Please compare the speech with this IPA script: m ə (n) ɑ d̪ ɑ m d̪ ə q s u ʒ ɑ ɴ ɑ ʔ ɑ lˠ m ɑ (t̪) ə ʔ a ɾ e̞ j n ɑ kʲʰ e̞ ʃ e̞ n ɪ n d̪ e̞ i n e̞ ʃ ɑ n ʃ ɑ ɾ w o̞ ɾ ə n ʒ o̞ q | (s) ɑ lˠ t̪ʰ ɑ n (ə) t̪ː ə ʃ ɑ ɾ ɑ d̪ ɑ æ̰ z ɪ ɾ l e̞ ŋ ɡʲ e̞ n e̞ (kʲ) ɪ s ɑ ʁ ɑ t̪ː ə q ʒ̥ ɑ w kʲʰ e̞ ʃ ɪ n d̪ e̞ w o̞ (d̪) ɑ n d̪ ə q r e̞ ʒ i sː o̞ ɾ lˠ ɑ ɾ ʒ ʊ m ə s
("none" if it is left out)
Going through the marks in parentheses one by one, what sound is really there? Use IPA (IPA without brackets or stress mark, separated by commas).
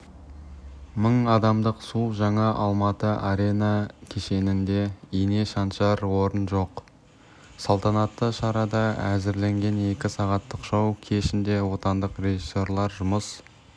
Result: ɴ, t̪, s, ɑ, kʲ, t̪